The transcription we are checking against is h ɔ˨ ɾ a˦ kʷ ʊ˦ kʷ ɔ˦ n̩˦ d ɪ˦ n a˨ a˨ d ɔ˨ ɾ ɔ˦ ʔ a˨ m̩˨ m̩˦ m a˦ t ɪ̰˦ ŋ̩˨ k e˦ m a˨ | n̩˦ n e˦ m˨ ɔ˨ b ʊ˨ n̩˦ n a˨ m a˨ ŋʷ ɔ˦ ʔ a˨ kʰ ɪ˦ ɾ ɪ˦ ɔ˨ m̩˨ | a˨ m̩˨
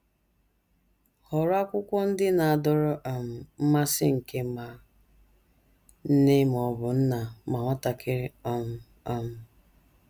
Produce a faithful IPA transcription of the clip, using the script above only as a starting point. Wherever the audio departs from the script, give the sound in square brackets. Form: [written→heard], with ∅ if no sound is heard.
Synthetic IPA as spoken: h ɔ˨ ɾ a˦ kʷ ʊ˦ kʷ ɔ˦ n̩˦ d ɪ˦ n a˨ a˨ d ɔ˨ ɾ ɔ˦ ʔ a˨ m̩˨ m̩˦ m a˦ [t→s] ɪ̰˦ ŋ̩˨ k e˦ m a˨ | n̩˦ n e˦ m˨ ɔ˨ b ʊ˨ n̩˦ n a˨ m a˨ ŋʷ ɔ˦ [ʔ→t] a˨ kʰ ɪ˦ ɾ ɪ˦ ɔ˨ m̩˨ | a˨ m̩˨